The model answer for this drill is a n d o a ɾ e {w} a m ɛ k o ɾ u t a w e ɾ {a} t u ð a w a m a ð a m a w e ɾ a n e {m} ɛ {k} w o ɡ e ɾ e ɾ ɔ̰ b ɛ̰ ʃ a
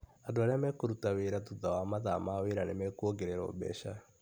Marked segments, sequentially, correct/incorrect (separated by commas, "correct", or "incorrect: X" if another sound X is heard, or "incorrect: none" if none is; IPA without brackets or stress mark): incorrect: none, correct, correct, correct